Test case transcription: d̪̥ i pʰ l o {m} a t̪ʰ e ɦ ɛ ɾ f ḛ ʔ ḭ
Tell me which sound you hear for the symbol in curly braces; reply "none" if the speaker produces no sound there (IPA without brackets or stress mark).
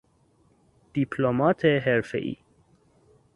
m